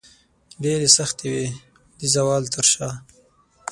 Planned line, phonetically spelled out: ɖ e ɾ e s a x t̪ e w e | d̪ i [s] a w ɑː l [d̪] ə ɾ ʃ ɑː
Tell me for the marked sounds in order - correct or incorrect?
incorrect: z, incorrect: t̪

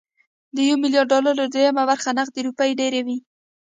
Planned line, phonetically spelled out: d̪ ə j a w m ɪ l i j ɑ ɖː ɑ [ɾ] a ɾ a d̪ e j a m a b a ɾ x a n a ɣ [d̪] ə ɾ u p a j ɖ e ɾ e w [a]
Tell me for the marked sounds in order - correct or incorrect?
incorrect: l, correct, incorrect: i

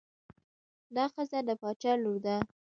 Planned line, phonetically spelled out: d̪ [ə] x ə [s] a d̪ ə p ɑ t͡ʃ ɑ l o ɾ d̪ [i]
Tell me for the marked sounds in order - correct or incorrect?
incorrect: ɑ, incorrect: z, incorrect: a

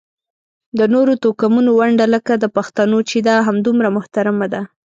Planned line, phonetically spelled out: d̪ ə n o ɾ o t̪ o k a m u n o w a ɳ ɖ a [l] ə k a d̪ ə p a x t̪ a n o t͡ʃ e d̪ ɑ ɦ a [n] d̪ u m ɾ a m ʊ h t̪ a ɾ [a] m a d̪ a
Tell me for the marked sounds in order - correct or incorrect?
correct, incorrect: m, correct

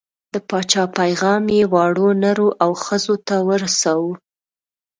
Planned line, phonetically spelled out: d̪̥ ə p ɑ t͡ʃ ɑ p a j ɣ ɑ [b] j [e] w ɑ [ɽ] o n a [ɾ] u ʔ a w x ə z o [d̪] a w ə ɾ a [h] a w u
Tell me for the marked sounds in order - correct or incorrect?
incorrect: m, correct, correct, correct, incorrect: t̪, incorrect: s

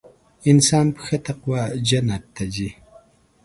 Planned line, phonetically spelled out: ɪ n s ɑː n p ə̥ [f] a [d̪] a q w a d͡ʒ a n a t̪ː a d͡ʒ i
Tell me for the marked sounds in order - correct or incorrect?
incorrect: x, incorrect: t̪

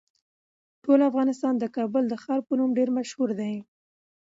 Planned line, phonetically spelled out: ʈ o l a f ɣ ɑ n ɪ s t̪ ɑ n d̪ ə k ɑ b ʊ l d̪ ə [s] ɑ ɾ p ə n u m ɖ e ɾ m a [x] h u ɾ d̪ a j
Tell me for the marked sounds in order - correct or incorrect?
incorrect: x, incorrect: ʃ

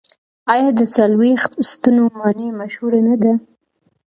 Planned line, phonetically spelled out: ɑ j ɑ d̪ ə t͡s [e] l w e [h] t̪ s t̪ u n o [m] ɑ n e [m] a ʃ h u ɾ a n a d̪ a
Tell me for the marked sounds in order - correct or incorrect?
incorrect: a, incorrect: x, correct, correct

